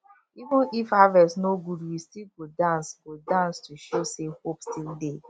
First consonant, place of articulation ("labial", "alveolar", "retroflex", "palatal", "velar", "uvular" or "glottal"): labial